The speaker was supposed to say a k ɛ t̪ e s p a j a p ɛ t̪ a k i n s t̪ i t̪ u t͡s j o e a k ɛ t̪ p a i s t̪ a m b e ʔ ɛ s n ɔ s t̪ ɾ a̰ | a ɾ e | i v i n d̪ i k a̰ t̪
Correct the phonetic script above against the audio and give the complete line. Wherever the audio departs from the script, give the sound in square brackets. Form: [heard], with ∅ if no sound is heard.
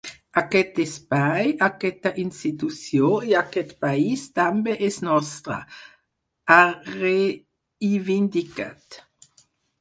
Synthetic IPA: a k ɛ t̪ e s p a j a [k] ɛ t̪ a [ʔ] i n s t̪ i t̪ u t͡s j o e a k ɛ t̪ p a i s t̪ a m b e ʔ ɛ s n ɔ s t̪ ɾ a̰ | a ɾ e | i v i n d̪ i k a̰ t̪